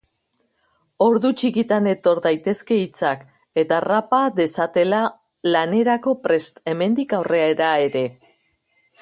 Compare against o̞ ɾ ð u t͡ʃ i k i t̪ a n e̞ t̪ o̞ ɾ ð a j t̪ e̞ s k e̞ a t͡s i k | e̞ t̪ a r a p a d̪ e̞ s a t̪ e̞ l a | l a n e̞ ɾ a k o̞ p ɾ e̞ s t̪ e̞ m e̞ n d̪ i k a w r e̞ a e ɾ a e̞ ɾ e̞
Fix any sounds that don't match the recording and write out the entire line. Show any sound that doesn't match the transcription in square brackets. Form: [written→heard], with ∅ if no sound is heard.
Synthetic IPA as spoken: o̞ ɾ ð u t͡ʃ i k i t̪ a n e̞ t̪ o̞ ɾ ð a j t̪ e̞ s k e̞ [a→i] t͡s [i→a] k | e̞ t̪ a r a p a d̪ e̞ s a t̪ e̞ l a | l a n e̞ ɾ a k o̞ p ɾ e̞ s t̪ e̞ m e̞ n d̪ i k a w r e̞ a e ɾ a e̞ ɾ e̞